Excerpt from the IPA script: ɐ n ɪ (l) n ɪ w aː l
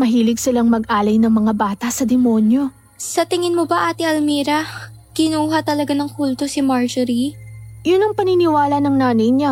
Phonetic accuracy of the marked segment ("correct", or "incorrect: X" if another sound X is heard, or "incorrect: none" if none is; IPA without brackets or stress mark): incorrect: none